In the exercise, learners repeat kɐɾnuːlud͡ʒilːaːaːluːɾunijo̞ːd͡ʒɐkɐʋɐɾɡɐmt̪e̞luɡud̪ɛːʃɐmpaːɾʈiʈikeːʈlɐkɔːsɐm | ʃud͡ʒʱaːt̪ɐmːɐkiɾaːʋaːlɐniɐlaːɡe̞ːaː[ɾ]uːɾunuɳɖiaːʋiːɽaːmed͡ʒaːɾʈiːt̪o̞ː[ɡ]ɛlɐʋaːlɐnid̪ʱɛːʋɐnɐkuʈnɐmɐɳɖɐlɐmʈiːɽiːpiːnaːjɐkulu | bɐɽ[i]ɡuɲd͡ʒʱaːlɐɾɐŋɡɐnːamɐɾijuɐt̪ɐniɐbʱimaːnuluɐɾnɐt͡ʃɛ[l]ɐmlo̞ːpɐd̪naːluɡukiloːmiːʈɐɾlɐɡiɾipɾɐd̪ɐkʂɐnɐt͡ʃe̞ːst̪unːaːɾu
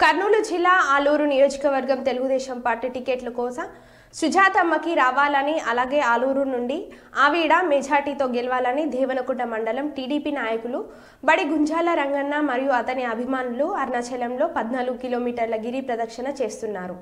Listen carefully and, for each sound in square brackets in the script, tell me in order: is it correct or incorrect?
incorrect, correct, correct, correct

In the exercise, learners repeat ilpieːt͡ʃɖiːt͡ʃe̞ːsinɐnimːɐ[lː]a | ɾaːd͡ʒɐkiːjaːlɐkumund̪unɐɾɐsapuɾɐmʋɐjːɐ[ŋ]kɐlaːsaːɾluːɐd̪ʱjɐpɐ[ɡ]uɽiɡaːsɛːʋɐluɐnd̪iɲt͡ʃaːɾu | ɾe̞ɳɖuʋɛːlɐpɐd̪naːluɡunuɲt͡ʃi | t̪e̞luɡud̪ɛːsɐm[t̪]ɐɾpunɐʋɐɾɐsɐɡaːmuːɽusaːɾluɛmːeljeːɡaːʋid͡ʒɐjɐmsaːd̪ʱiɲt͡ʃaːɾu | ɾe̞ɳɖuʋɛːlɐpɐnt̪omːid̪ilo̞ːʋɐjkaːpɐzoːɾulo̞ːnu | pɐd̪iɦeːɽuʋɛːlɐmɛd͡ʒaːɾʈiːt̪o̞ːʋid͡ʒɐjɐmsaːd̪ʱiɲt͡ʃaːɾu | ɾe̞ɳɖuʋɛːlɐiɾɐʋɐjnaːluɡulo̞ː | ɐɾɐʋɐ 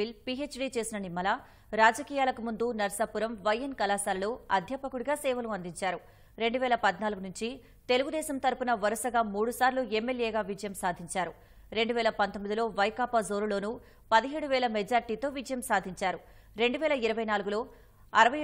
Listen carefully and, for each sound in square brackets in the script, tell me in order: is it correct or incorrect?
incorrect, incorrect, incorrect, correct

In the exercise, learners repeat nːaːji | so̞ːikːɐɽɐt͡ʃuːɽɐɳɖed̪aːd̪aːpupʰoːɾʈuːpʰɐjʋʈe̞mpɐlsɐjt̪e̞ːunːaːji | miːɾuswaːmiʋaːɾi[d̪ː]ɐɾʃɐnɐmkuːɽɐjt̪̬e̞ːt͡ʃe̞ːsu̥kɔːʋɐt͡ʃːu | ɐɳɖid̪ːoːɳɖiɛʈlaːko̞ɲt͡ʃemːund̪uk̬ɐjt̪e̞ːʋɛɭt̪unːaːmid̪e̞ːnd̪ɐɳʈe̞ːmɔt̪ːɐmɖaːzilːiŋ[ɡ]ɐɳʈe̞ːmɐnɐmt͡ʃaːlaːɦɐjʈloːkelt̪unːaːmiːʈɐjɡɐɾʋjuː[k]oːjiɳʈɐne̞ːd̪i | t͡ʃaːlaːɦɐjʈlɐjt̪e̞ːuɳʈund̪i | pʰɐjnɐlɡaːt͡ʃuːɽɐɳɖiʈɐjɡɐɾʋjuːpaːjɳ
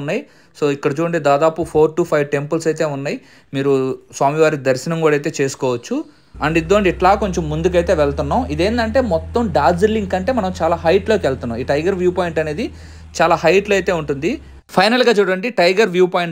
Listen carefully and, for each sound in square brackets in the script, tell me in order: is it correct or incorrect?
incorrect, incorrect, incorrect

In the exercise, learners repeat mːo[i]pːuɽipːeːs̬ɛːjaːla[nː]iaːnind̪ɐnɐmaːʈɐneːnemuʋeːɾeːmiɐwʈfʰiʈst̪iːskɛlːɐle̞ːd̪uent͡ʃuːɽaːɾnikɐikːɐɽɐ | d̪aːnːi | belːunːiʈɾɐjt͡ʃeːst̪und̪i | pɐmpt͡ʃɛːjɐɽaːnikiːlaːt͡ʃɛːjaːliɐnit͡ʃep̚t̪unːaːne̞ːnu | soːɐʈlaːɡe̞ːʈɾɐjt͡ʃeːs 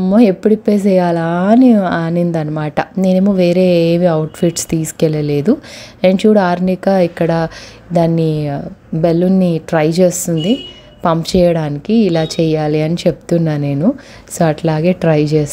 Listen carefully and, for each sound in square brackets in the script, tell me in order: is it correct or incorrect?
incorrect, incorrect

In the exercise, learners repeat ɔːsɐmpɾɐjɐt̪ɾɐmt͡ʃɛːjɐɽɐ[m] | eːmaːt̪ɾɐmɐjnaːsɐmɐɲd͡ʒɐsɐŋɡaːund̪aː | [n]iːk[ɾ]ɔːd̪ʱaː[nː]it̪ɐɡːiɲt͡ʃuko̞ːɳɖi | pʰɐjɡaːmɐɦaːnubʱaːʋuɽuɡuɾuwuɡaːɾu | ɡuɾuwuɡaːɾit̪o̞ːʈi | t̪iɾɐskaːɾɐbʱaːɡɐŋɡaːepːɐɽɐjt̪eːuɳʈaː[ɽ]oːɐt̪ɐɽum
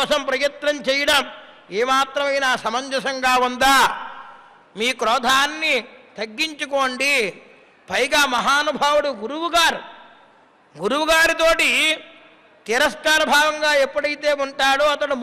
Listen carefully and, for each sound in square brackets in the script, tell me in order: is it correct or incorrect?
correct, incorrect, correct, correct, correct

